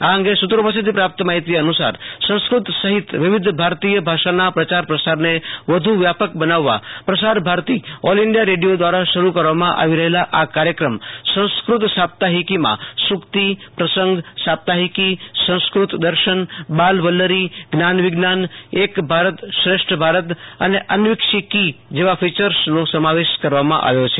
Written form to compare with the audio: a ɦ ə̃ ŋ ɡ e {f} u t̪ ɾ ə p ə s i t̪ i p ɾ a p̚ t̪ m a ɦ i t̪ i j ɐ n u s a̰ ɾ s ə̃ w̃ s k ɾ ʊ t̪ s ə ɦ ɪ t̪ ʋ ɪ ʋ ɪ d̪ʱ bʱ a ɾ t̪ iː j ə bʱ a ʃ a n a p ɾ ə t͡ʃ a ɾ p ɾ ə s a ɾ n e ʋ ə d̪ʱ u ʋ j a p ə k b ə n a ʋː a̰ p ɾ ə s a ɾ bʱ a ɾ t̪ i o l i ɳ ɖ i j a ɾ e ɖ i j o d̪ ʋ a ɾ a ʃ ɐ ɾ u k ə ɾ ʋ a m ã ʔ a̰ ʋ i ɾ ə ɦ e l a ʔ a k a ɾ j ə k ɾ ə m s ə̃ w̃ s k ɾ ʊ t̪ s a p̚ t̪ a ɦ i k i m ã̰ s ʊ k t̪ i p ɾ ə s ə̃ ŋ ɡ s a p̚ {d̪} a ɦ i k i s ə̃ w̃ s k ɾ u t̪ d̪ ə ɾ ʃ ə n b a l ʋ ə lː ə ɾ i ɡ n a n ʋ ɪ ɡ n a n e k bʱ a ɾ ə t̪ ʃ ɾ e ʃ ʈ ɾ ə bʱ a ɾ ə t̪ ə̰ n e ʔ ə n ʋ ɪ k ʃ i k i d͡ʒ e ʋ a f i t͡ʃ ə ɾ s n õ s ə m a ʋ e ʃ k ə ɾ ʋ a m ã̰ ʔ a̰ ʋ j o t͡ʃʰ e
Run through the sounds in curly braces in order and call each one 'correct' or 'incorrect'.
incorrect: s, incorrect: t̪

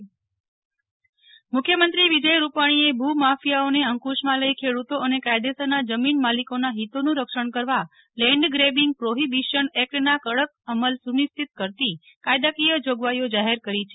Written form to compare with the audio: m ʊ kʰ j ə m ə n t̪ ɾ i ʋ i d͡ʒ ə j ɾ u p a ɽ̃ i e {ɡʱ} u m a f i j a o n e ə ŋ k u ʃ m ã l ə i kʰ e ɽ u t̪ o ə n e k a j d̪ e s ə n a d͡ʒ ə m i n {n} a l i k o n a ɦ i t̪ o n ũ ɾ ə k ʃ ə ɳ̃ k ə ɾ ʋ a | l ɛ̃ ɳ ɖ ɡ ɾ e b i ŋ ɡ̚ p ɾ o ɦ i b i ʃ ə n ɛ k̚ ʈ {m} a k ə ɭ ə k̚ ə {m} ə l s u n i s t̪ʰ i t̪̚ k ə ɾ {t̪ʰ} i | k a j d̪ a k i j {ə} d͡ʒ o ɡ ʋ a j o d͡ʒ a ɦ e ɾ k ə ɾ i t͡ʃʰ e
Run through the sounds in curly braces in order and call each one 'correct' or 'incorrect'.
incorrect: bʱ, incorrect: m, incorrect: n, correct, incorrect: t̪, correct

